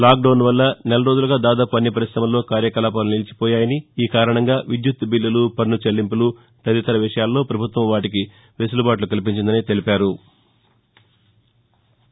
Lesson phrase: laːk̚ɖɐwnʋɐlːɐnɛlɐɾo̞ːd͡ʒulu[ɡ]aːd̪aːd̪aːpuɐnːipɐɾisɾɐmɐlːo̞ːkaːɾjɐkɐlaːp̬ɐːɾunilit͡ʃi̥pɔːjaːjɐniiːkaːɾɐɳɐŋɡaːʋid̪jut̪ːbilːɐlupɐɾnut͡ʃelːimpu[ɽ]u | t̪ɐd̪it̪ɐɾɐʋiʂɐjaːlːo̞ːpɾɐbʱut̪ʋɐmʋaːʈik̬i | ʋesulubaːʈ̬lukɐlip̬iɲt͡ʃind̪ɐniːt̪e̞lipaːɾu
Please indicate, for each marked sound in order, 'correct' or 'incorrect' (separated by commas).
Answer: correct, incorrect